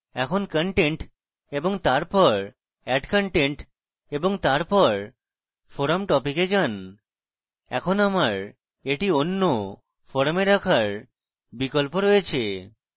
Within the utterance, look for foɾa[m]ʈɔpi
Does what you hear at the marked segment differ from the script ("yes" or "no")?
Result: no